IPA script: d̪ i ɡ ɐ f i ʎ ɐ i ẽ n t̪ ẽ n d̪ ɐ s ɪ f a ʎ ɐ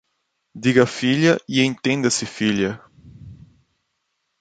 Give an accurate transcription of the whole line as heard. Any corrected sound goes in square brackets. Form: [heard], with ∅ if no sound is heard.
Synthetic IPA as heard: d̪ i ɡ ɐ f i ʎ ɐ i ẽ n t̪ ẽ n d̪ ɐ s ɪ f [i] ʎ ɐ

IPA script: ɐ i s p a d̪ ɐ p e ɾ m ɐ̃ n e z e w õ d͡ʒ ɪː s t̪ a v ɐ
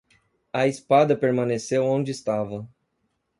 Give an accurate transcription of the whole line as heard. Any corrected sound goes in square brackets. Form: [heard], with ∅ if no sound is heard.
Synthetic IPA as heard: ɐ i s p a d̪ ɐ p e ɾ m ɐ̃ n e [s] e w õ d͡ʒ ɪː s t̪ a v ɐ

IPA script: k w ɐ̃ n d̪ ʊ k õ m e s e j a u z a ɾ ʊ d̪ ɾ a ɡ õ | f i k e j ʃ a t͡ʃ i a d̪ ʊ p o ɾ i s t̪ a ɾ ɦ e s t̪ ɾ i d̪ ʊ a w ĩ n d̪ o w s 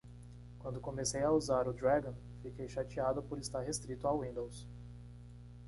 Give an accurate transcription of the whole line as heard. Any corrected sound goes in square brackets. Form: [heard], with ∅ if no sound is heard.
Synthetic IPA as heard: k w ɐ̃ n d̪ ʊ k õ m e s e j a u z a ɾ ʊ d̪ ɾ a ɡ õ | f i k e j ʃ a t͡ʃ i a d̪ ʊ p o ɾ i s t̪ a ɾ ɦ e s t̪ ɾ i [t̪] ʊ a w ĩ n d̪ o w s

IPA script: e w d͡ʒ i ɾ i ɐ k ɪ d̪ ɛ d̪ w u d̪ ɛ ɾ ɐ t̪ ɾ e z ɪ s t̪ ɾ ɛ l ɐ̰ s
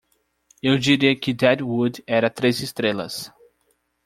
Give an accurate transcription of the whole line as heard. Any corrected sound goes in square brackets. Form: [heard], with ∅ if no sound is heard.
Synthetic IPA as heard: e w d͡ʒ i ɾ i ɐ k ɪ d̪ ɛ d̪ w u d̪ ɛ ɾ ɐ t̪ ɾ e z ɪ s t̪ ɾ [e] l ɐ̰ s

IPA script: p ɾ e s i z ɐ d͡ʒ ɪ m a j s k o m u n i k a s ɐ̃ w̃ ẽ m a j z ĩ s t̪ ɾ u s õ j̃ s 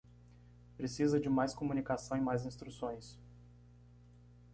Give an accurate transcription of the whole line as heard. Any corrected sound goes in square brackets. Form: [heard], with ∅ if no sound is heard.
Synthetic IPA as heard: p ɾ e s i z ɐ d͡ʒ ɪ m a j s k o m u n i k a s ɐ̃ w̃ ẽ m a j z ĩ s t̪ ɾ u s õ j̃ s

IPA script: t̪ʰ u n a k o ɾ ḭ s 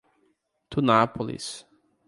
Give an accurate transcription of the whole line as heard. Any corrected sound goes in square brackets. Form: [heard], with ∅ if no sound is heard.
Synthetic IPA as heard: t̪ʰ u n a [p] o [l] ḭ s

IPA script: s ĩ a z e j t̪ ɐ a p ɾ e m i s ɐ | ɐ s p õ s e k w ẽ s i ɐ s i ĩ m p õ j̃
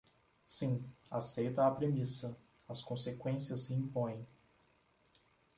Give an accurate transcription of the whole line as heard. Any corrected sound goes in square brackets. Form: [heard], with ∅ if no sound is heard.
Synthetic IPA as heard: s ĩ a [s] e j t̪ ɐ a p ɾ e m i s ɐ | ɐ s [k] õ s e k w ẽ s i ɐ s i ĩ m p õ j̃

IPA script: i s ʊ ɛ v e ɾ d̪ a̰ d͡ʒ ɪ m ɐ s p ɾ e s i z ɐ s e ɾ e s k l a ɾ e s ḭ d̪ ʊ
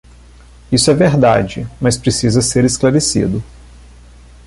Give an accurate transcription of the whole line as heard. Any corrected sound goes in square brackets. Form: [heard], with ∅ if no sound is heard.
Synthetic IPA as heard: i s ʊ ɛ v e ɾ d̪ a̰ d͡ʒ ɪ m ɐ s p ɾ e s i z ɐ s e ɾ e s k l a ɾ e s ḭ d̪ ʊ

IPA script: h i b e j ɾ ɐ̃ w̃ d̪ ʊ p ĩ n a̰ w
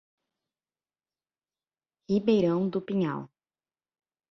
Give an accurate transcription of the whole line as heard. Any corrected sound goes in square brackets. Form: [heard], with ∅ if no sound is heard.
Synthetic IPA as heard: h i b e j ɾ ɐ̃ w̃ d̪ ʊ p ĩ [ɲ] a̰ w

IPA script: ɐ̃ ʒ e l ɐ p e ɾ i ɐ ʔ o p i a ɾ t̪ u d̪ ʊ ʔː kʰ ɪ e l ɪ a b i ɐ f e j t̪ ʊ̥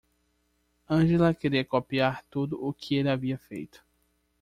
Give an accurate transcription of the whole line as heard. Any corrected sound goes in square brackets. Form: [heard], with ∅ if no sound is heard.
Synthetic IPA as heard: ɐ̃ ʒ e l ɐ [k] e ɾ i ɐ [k] o p i a ɾ t̪ u d̪ ʊ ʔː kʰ ɪ e l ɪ a [v] i ɐ f e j t̪ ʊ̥

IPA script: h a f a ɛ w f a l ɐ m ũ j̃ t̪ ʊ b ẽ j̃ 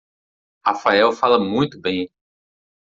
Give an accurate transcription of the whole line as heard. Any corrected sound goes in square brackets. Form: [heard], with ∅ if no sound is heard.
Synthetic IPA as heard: h a f a ɛ w f a l ɐ m ũ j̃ t̪ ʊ b ẽ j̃

